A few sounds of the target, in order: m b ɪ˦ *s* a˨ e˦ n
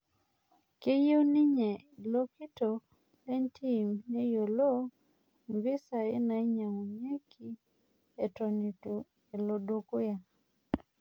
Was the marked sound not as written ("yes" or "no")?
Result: no